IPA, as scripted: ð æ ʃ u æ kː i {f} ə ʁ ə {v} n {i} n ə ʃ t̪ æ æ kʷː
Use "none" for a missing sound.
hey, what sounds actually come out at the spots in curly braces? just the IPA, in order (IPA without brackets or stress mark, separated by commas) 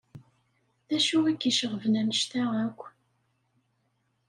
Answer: ʃ, v, æ